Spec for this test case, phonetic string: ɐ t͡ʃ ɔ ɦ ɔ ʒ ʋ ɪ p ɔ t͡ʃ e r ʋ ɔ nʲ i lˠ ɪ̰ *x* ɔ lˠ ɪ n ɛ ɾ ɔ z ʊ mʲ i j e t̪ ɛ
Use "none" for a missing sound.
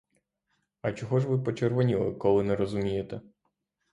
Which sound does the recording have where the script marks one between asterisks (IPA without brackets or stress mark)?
k